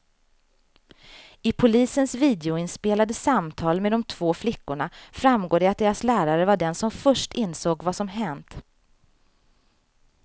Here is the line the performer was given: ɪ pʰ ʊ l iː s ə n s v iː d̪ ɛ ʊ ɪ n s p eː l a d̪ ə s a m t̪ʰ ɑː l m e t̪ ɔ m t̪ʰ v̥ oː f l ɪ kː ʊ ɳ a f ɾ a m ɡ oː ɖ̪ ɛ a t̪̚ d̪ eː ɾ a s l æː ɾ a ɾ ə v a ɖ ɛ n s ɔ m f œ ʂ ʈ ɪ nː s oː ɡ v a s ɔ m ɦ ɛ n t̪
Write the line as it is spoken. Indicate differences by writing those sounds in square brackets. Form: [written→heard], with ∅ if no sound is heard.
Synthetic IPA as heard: ɪ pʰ ʊ l iː s ə n s v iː d̪ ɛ ʊ ɪ n s p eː l a d̪ ə s a m t̪ʰ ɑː l m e [t̪→d̪] ɔ m t̪ʰ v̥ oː f l ɪ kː ʊ ɳ a f ɾ a m ɡ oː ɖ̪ ɛ a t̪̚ d̪ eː ɾ a s l æː ɾ a ɾ ə v a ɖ ɛ n s ɔ m f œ ʂ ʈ ɪ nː s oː ɡ v a s ɔ m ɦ ɛ n t̪